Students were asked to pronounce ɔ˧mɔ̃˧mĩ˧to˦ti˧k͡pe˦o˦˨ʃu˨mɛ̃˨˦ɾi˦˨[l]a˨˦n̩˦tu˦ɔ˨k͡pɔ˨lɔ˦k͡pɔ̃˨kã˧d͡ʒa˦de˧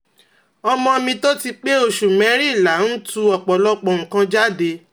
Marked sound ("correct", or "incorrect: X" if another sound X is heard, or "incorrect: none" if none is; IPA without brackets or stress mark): correct